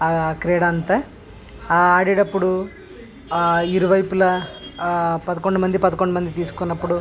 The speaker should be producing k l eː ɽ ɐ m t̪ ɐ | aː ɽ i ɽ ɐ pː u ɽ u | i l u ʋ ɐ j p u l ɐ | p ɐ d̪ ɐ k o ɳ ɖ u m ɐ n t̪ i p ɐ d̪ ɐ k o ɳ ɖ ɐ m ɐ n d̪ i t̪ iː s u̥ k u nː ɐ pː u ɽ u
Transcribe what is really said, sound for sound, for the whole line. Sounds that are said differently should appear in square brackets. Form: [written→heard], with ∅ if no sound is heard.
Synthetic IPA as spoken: k [l→ɾ] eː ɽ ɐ [m→n] t̪ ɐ | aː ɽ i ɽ ɐ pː u ɽ u | i [l→ɾ] u ʋ ɐ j p u l ɐ | p ɐ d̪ ɐ k o ɳ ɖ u m ɐ n [t̪→d̪] i p ɐ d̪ ɐ k o ɳ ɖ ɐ m ɐ n d̪ i t̪ iː s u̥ k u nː ɐ pː u ɽ u